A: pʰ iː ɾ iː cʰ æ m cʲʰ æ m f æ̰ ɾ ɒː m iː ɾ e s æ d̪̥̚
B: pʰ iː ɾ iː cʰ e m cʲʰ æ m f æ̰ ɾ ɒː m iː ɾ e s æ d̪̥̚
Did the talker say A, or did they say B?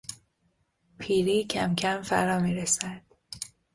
A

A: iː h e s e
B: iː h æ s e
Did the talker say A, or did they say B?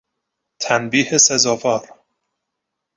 A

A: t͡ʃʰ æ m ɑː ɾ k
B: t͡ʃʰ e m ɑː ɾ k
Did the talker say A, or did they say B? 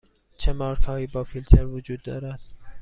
B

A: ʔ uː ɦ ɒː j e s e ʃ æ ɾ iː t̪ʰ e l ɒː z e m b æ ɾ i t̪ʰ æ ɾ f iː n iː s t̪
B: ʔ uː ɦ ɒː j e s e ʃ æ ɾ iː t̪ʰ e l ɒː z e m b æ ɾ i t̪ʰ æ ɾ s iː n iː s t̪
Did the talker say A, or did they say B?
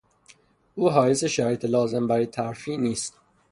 A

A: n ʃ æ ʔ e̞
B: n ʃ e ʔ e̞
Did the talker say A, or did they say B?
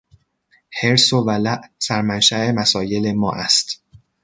A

